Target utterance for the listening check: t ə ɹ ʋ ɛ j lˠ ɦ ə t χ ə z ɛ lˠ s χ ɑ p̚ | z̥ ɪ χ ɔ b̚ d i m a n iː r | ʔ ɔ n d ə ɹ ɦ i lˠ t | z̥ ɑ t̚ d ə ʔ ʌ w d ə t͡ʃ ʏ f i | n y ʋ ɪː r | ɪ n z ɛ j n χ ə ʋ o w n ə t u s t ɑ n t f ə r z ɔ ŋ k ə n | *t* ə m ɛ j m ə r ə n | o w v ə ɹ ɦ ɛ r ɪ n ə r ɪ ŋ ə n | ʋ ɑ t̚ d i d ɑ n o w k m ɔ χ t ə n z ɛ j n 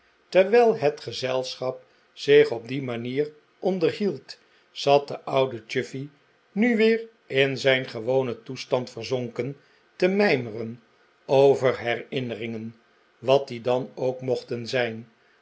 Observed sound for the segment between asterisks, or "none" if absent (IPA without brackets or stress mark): t